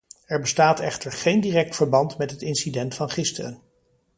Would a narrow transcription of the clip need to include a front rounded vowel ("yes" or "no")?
no